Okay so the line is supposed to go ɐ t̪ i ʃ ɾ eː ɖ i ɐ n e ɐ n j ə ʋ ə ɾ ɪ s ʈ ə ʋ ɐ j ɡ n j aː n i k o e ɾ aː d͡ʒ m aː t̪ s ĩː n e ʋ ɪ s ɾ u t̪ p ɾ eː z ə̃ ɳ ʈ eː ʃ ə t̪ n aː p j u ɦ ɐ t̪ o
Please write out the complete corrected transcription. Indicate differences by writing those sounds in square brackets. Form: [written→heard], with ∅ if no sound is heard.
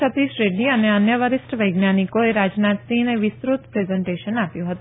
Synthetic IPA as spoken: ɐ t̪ i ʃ ɾ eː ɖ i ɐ n e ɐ n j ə ʋ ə ɾ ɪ s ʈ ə ʋ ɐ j ɡ n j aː n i k o e ɾ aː d͡ʒ [m→n] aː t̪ s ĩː n e ʋ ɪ s ɾ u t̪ p ɾ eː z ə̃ ɳ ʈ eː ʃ ə [t̪→∅] n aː p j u ɦ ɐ t̪ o